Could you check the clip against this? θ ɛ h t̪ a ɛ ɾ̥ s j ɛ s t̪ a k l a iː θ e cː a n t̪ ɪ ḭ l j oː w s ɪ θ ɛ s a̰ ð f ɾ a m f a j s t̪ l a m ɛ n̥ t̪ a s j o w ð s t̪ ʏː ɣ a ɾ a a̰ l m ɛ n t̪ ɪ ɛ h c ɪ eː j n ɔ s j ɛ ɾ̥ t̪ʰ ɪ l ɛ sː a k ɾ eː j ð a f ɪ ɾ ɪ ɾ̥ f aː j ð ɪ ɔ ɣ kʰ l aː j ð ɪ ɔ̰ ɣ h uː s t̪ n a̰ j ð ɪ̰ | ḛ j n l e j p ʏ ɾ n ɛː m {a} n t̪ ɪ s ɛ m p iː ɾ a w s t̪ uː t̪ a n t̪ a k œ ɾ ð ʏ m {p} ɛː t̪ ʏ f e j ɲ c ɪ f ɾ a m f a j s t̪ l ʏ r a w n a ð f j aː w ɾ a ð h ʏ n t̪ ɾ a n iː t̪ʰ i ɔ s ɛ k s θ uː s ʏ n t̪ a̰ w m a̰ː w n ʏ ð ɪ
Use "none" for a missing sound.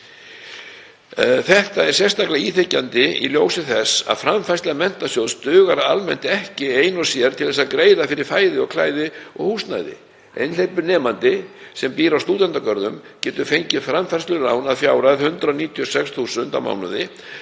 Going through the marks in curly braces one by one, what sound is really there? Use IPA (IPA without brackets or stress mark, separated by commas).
a, c